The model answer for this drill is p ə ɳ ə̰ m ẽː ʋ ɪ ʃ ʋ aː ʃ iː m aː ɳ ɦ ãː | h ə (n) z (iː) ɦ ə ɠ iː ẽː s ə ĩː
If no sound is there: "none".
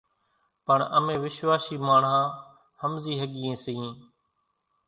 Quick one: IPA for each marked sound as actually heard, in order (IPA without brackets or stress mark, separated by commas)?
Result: m, iː